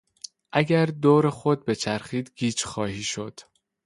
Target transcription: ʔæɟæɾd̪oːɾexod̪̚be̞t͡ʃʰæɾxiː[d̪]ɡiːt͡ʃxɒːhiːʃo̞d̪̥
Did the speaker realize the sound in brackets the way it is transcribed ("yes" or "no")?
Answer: yes